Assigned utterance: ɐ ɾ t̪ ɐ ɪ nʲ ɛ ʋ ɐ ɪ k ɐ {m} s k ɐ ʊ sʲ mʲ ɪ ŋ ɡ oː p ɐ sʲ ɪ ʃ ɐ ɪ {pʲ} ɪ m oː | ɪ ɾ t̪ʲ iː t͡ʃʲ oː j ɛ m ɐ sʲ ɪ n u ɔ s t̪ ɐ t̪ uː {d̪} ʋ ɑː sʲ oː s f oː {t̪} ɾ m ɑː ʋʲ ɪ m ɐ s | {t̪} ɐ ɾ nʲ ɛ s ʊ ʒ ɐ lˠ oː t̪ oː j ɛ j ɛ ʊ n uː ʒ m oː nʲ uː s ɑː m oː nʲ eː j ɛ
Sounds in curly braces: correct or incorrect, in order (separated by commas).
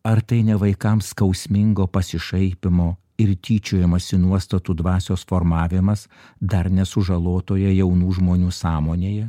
correct, correct, correct, incorrect, incorrect